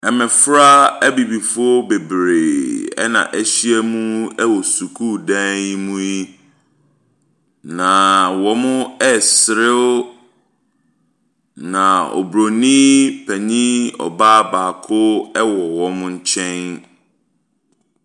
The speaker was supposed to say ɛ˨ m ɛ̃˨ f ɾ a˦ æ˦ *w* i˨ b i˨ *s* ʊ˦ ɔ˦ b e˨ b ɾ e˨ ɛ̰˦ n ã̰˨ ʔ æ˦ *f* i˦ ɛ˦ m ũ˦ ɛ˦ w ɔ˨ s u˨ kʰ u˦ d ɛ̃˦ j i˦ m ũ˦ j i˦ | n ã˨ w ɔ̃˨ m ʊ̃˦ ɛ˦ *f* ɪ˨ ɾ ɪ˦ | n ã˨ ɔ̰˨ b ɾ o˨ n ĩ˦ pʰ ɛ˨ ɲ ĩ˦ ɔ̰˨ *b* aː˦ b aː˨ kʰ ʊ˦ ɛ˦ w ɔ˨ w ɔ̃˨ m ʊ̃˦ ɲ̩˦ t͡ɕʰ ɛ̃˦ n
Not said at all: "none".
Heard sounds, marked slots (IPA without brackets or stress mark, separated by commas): b, f, ɕ, s, b